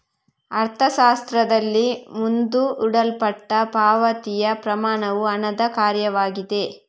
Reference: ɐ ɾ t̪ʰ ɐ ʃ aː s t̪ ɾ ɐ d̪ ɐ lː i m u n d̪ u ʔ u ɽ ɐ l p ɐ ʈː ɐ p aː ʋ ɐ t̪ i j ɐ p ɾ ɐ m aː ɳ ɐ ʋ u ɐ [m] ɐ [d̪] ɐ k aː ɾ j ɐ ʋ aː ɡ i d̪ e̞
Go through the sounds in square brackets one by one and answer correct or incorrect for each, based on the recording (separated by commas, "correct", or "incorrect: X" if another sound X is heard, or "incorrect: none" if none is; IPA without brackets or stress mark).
incorrect: n, correct